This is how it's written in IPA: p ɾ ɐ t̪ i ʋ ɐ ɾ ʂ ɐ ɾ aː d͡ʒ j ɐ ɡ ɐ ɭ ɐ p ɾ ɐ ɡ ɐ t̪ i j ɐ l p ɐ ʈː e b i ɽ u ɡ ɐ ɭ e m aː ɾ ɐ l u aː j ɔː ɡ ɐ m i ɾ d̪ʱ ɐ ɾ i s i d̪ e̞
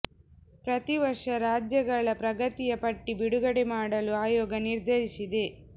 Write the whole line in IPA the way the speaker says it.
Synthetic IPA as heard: p ɾ ɐ t̪ i ʋ ɐ ɾ ʂ ɐ ɾ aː d͡ʒ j ɐ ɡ ɐ ɭ ɐ p ɾ ɐ ɡ ɐ t̪ i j ɐ p ɐ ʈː i b i ɽ u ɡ ɐ ɽ e m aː ɽ ɐ l u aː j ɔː ɡ ɐ n i ɾ d̪ʱ ɐ ɾ i s i d̪ e̞